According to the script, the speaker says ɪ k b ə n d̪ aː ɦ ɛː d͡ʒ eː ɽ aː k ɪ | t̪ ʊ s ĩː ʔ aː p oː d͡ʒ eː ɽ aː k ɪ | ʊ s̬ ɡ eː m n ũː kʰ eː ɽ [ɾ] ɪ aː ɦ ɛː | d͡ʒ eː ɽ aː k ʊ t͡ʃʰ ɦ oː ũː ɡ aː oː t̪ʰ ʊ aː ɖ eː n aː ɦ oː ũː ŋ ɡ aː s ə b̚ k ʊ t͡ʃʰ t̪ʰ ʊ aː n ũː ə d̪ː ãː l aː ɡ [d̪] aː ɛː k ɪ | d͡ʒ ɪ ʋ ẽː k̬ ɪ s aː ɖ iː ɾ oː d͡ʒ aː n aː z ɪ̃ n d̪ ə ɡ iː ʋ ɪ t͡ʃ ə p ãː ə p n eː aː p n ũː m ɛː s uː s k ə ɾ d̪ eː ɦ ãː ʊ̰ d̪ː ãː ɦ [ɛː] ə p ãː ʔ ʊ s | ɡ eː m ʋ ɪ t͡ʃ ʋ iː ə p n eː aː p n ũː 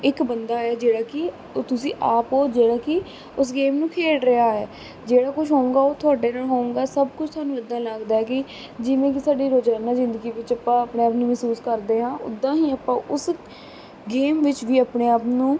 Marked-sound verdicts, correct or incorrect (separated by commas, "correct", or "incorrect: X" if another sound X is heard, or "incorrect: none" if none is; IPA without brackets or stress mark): correct, correct, incorrect: iː